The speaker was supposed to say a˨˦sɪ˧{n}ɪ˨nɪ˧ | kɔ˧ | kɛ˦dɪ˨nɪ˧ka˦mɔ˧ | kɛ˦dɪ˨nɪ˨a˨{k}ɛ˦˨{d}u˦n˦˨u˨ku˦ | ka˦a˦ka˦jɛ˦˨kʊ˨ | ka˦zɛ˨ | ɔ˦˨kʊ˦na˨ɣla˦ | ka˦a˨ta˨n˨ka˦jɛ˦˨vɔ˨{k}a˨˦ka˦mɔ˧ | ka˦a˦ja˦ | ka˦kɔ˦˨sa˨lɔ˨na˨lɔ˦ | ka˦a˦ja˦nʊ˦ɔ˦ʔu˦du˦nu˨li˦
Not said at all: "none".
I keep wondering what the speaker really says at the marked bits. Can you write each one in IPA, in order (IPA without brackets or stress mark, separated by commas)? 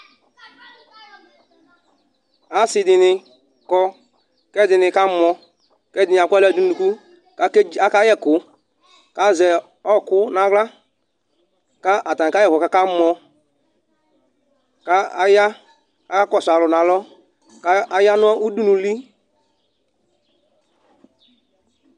d, k, d, k